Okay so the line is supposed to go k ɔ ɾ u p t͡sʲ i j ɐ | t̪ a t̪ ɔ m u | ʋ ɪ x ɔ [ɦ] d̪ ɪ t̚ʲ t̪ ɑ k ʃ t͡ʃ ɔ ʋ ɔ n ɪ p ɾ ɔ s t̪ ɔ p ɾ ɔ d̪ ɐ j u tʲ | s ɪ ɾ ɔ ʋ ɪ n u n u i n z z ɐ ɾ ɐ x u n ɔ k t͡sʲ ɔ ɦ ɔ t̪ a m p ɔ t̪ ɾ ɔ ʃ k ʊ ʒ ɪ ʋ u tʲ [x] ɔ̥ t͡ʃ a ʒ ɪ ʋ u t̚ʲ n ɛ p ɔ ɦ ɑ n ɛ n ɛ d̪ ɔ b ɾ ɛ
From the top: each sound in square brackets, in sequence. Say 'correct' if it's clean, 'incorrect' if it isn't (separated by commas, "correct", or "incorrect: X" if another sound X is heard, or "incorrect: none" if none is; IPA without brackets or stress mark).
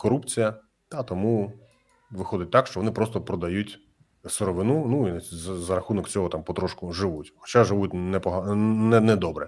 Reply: incorrect: none, correct